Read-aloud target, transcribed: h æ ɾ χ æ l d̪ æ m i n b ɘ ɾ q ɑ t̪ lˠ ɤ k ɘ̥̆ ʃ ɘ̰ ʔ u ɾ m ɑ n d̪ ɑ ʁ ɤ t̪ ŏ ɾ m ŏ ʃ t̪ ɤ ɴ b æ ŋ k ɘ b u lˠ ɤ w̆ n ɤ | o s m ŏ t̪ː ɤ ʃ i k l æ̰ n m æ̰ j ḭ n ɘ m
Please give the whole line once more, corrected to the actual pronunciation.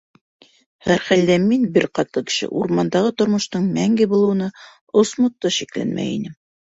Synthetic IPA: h æ ɾ χ æ l d̪ æ m i n b ɘ ɾ q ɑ t̪ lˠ ɤ k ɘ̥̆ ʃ ɘ̰ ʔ u ɾ m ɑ n d̪ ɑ ʁ ɤ t̪ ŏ ɾ m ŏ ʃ t̪ ɤ ɴ m æ ŋ ɡ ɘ b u lˠ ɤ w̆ n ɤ | o s m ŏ t̪ː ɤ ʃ i k l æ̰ n m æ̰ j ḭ n ɘ m

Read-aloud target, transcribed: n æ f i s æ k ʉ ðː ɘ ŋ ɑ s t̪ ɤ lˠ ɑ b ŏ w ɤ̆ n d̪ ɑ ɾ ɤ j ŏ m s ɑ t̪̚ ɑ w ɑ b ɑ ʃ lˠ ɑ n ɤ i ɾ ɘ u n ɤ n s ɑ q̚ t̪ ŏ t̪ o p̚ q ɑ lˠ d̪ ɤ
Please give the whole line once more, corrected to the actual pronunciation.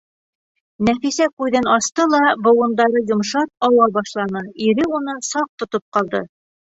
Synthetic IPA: n æ f i s æ k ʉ ð ɘ n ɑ s t̪ ɤ lˠ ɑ b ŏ w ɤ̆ n d̪ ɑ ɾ ɤ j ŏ m ʃ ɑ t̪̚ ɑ w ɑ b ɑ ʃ lˠ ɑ n ɤ i ɾ ɘ u n ɤ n s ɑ q̚ t̪ ŏ t̪ o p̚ q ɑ lˠ d̪ ɤ

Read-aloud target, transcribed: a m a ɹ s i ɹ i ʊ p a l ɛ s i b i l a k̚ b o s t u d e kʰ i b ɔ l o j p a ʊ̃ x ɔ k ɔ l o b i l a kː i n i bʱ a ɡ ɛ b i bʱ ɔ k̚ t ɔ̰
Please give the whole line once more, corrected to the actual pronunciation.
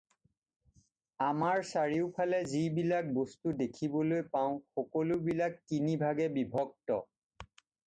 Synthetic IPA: a m a ɹ s a ɹ i ʊ pʰ a l ɛ z i b i l a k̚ b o s t u d e kʰ i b ɔ l o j p a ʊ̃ x ɔ k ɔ l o b i l a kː i n i bʱ a ɡ ɛ b i bʱ ɔ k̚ t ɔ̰

